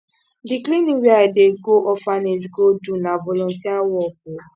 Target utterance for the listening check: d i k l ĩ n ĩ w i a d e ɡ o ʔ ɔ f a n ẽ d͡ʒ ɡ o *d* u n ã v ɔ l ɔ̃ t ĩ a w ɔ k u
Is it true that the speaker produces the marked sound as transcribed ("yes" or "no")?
yes